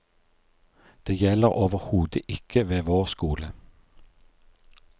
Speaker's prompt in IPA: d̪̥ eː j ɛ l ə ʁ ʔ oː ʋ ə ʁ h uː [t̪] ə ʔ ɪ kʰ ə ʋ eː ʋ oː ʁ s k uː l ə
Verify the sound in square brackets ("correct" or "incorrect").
incorrect